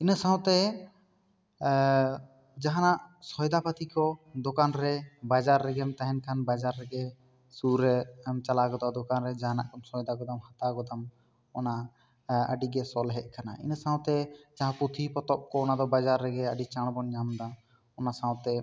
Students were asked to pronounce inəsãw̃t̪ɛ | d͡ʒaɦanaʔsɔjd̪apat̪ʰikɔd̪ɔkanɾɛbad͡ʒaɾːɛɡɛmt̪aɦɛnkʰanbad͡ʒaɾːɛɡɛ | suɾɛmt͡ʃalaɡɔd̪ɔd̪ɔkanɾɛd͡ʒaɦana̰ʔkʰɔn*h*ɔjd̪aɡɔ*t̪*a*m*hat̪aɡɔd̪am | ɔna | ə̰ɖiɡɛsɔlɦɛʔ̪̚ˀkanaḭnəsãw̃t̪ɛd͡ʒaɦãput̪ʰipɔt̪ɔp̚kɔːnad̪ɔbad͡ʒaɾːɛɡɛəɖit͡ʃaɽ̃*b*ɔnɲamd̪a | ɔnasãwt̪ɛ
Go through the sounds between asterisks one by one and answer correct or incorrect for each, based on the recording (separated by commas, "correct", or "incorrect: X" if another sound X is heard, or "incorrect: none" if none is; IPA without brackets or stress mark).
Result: incorrect: s, incorrect: d̪, correct, correct